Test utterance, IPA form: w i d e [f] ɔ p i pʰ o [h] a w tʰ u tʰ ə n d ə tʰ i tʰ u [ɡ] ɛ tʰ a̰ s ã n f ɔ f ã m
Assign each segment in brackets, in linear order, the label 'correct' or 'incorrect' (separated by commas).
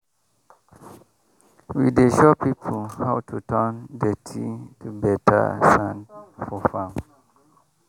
incorrect, correct, incorrect